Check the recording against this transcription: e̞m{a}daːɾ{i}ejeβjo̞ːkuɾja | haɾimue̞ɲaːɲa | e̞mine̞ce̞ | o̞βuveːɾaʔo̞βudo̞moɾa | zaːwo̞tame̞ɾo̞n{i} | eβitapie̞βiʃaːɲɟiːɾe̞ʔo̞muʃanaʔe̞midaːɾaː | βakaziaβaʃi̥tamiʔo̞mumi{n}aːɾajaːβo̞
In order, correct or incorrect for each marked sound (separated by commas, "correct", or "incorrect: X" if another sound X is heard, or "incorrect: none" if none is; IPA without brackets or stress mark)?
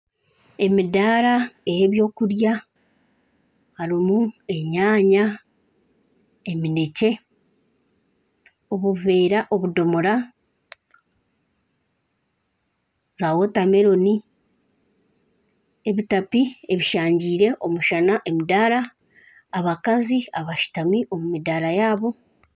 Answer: incorrect: i, incorrect: a, correct, incorrect: d